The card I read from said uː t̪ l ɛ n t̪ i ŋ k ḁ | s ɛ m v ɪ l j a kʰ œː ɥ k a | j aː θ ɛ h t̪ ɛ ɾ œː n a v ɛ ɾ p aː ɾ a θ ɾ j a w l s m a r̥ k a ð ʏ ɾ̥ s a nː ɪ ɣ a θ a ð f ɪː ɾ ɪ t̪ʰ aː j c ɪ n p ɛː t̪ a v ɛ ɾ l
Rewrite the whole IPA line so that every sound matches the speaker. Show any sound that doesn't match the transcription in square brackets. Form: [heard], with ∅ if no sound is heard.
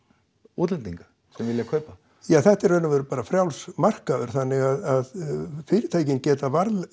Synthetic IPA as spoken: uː t̪ l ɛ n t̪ i ŋ k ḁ | s ɛ m v ɪ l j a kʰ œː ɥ [p] a | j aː θ ɛ h t̪ ɛ ɾ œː n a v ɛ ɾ p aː ɾ a [f] ɾ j a w l s m a r̥ k a ð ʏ ɾ̥ [θ] a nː ɪ ɣ a [ð] a ð f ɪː ɾ ɪ t̪ʰ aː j c ɪ n [c] ɛː t̪ a v [a] ɾ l

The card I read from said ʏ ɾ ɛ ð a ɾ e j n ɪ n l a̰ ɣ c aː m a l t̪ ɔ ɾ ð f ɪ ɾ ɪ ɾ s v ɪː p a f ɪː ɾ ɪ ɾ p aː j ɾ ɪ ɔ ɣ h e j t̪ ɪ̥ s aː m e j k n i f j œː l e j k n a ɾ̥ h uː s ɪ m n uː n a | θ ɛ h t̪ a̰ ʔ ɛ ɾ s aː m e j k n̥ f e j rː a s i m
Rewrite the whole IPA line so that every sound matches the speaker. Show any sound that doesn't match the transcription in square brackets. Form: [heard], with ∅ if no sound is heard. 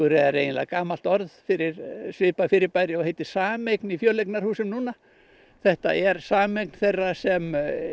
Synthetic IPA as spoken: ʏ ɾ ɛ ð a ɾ e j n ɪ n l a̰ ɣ [k] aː m a l t̪ ɔ ɾ ð f ɪ ɾ ɪ ɾ s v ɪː p a f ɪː ɾ ɪ ɾ p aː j ɾ ɪ ɔ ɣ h e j t̪ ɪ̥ s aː m e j k n i f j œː l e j k n a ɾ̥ h uː s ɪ m n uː n a | θ ɛ h t̪ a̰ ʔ ɛ ɾ s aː m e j k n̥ [θ] e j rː a s [ɛ] m

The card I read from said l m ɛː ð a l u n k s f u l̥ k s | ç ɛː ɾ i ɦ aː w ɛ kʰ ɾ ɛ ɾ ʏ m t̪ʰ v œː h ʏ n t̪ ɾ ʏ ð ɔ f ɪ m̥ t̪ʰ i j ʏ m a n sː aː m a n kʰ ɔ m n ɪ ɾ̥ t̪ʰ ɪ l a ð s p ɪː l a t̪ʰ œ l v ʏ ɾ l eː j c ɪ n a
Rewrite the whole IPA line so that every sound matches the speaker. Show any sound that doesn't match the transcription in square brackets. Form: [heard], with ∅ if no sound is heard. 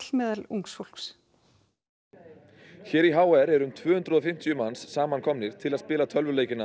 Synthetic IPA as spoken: l m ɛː ð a l u [ŋ] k s f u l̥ k s | ç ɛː ɾ i ɦ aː w ɛ [∅] ɾ ɛ ɾ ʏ m t̪ʰ v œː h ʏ n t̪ ɾ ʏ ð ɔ f ɪ m̥ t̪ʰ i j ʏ m a n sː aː m a n kʰ ɔ m n ɪ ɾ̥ t̪ʰ ɪ l a ð s p ɪː l a t̪ʰ œ l v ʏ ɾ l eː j c ɪ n a

